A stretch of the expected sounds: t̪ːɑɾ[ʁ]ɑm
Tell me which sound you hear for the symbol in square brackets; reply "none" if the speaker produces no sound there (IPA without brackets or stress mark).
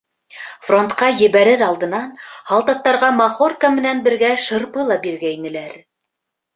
ʁ